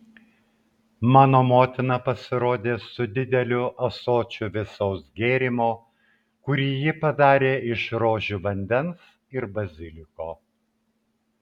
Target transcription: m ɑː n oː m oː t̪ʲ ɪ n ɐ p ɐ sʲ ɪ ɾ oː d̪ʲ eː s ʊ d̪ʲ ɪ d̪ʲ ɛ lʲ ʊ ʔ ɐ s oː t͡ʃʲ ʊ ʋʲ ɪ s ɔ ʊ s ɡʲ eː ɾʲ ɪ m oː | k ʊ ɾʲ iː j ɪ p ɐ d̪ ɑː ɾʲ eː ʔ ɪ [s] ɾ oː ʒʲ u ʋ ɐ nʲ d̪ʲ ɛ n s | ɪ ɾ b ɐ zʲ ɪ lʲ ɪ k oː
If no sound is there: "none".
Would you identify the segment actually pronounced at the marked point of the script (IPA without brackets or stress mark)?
ʃ